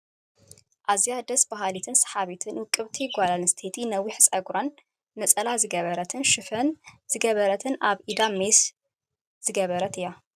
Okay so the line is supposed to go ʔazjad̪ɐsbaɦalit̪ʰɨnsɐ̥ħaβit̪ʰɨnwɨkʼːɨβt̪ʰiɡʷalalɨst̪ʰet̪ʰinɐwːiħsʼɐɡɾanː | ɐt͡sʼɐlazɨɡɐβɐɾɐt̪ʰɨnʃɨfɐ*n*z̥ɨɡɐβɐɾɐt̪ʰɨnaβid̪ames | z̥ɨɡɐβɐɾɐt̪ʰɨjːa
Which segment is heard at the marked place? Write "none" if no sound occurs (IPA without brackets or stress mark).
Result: n